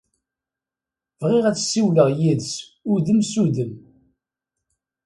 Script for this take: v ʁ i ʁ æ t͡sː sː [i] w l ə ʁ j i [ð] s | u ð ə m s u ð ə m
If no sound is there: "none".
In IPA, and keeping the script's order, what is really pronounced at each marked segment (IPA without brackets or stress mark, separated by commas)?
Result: i, ð